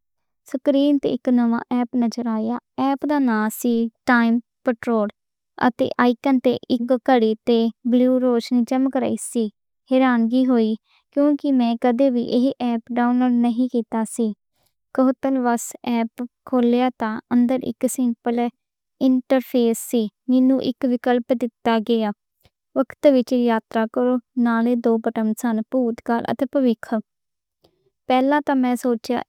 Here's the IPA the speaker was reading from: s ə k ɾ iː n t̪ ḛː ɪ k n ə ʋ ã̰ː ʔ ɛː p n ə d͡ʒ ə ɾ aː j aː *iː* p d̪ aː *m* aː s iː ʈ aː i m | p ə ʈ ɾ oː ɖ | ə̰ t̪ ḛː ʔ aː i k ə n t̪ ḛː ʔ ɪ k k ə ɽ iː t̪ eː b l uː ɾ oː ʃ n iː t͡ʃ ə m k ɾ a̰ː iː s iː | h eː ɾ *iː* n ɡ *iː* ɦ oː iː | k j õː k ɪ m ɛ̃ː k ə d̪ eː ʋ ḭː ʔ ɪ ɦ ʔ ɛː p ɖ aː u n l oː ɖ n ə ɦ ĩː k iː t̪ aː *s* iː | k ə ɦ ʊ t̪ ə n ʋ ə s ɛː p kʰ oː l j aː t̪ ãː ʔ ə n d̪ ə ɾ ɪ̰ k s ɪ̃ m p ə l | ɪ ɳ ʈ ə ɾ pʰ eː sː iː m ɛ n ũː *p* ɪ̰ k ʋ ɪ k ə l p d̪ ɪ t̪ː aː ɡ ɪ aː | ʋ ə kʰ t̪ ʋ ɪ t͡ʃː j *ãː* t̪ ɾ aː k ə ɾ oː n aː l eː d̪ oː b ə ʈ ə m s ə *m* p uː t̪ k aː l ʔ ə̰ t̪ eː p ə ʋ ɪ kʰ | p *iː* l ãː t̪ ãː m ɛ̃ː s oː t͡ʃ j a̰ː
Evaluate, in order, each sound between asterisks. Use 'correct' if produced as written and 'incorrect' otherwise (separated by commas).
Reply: incorrect, incorrect, incorrect, correct, correct, incorrect, incorrect, incorrect, incorrect